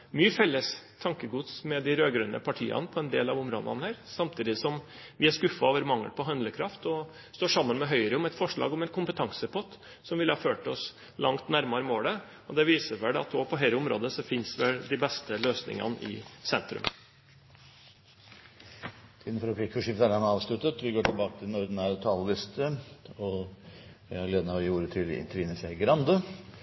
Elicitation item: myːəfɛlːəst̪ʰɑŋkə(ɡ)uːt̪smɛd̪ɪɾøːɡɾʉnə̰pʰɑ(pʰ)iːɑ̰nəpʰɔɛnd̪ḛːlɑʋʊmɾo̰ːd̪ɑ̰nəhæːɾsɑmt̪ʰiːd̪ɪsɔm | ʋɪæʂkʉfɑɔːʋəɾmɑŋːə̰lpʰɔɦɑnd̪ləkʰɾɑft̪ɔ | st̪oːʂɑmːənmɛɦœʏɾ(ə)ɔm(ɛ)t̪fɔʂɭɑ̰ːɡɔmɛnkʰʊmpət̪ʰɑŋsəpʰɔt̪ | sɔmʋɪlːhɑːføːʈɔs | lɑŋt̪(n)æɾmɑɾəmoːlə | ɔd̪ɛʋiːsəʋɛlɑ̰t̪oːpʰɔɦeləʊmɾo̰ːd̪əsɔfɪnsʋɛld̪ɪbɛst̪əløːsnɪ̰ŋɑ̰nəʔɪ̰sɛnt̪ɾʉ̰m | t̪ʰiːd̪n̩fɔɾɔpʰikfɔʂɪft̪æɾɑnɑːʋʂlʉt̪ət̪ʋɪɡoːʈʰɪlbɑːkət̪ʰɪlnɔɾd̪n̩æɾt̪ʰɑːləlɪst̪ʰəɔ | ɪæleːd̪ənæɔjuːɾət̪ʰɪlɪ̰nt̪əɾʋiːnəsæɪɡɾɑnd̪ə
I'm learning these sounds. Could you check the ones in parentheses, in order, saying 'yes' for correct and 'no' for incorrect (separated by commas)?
yes, no, yes, yes, yes